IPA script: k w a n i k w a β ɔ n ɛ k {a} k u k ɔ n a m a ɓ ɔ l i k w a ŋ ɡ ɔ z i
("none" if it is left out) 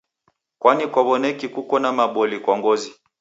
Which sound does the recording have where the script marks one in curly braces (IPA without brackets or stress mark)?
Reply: i